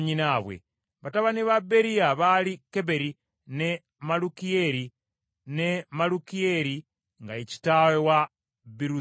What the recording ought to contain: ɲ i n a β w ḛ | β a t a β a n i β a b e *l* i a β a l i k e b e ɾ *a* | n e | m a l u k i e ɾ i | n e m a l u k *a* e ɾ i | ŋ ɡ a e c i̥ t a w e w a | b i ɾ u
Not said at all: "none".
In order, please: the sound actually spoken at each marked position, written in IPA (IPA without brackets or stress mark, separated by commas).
ɾ, i, i